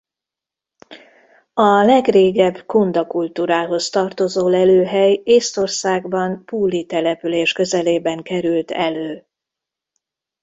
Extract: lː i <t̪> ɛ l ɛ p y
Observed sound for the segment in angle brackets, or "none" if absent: t̪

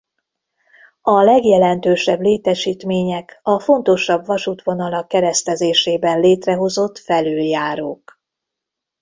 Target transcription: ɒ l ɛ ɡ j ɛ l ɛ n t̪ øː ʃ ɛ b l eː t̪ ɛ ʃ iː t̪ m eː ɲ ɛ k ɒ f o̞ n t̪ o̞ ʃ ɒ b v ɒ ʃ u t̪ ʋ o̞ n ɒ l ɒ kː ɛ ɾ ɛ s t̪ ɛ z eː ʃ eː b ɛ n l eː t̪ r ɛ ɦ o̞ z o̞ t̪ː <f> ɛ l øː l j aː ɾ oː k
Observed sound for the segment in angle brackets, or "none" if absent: f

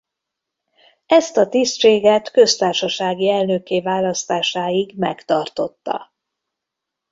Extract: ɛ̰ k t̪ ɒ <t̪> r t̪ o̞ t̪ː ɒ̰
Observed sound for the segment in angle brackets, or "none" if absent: none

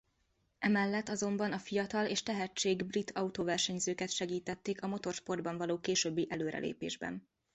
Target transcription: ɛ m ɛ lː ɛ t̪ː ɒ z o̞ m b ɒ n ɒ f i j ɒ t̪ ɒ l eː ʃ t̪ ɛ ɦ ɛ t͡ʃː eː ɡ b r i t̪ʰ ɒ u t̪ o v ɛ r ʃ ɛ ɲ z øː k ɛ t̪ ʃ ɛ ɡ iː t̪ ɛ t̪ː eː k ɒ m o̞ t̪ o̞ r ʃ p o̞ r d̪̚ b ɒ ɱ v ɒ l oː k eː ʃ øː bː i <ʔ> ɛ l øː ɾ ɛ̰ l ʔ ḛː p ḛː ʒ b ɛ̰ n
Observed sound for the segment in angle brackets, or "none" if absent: ʔ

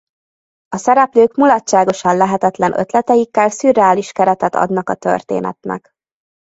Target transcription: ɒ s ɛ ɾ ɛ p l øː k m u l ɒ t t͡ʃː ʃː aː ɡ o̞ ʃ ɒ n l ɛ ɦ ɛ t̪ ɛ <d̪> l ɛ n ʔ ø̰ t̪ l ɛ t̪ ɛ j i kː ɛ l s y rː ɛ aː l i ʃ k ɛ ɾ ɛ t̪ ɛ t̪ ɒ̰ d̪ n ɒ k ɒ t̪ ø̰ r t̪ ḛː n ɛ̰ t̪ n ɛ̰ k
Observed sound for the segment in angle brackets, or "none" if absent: t̪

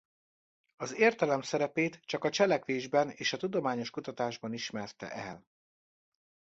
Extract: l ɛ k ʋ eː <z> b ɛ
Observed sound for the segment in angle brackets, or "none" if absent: ʒ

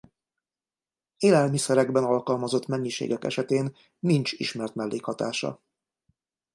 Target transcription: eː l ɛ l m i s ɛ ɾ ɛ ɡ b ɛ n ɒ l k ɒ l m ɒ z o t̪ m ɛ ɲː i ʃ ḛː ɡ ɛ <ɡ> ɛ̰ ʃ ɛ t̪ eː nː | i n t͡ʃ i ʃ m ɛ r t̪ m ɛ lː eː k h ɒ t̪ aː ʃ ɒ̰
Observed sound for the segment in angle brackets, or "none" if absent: k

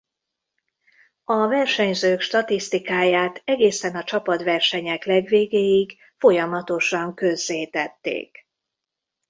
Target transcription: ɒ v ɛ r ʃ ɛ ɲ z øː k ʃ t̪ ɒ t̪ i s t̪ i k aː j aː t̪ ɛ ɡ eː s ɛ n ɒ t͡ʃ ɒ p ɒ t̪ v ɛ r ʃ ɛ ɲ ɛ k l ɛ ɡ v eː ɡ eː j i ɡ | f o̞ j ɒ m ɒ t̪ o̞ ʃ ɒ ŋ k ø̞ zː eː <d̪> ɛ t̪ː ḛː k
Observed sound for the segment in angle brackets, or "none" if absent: t̪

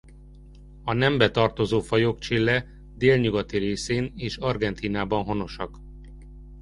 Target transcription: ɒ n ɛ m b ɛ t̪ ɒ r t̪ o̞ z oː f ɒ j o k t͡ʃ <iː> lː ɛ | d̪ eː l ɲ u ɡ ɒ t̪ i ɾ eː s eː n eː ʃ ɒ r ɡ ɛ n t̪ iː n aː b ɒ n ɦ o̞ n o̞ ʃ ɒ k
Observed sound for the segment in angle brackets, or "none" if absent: i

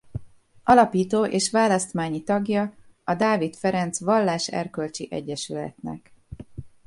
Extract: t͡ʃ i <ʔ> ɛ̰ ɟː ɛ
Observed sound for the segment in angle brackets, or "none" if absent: ʔ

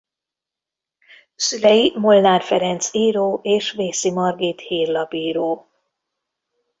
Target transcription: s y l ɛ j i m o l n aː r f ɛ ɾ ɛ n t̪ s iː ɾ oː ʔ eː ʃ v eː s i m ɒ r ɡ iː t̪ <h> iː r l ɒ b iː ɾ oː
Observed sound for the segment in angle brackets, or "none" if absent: h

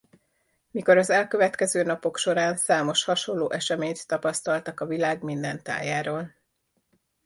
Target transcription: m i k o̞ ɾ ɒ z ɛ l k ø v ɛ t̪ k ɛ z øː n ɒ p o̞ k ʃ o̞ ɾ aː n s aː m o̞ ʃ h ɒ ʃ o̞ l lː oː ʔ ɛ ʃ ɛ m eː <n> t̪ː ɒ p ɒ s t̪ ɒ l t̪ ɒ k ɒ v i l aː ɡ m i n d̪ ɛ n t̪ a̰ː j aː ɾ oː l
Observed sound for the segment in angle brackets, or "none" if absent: ɲ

